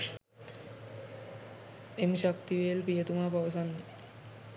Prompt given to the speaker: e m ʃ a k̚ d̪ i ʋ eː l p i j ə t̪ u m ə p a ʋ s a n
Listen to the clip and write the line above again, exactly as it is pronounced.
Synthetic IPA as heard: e m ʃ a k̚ t̪ i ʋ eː l p i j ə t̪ u m a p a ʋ s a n